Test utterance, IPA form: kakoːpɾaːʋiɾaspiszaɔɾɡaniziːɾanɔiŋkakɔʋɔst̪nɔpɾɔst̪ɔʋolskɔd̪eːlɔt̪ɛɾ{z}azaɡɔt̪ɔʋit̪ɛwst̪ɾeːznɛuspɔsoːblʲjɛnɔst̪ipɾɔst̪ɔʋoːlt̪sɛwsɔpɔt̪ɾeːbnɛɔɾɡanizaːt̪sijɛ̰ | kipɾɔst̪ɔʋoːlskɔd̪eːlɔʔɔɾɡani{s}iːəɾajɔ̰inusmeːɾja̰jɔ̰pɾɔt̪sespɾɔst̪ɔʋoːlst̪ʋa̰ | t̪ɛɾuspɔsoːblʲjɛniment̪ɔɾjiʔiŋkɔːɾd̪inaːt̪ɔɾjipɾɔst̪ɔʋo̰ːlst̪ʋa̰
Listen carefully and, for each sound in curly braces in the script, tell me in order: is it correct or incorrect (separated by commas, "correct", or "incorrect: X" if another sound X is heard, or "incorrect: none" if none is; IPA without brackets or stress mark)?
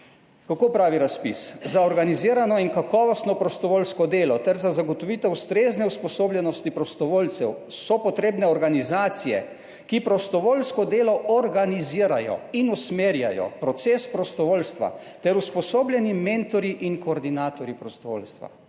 correct, incorrect: z